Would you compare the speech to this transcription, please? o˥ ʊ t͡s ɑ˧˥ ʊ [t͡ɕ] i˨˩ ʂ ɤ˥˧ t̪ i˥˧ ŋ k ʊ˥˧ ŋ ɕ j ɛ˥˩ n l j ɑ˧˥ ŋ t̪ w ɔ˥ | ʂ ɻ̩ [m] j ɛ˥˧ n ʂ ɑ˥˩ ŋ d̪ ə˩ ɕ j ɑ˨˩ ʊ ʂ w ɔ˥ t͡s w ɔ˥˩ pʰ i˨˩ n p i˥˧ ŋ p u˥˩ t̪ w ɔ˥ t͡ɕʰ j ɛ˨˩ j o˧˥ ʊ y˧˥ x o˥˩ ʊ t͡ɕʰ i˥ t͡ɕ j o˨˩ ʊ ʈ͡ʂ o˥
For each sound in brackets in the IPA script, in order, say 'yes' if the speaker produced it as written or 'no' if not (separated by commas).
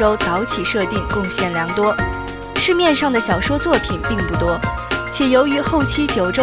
no, yes